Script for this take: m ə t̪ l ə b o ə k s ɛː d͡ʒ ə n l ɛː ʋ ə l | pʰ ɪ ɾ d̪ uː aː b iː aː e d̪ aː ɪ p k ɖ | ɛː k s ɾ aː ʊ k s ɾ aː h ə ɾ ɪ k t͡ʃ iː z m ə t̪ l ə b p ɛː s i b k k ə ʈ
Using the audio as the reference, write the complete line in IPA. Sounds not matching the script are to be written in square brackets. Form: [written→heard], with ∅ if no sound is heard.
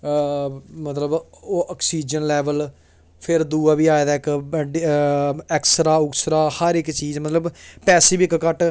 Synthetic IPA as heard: m ə t̪ l ə b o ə k s [ɛː→iː] d͡ʒ ə n l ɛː ʋ ə l | pʰ ɪ ɾ d̪ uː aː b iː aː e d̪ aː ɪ [p→∅] k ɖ | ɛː k s ɾ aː ʊ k s ɾ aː h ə ɾ ɪ k t͡ʃ iː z m ə t̪ l ə b p ɛː s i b k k ə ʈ